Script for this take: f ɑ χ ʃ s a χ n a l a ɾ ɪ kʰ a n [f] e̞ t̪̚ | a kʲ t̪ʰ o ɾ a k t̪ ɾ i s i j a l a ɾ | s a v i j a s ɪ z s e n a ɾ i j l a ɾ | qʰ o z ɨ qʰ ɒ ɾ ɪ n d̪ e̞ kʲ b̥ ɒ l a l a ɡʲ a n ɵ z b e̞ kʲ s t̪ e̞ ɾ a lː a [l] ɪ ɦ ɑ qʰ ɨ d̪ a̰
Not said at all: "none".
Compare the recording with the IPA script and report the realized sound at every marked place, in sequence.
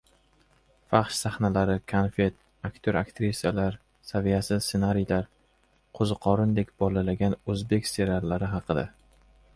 f, ɾ

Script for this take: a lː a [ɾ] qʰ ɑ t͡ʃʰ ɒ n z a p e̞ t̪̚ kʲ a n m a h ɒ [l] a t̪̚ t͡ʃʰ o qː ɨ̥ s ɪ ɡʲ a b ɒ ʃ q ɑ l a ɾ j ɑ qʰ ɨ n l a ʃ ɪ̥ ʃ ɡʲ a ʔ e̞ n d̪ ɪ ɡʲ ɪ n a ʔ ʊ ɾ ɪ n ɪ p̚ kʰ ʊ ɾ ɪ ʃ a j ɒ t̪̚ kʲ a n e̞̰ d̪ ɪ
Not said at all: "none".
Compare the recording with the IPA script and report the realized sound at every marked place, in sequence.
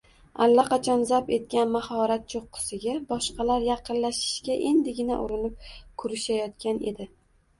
none, ɾ

